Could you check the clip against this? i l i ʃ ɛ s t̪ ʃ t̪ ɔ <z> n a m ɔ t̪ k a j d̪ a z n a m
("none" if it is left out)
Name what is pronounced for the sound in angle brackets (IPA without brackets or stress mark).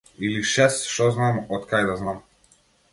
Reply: z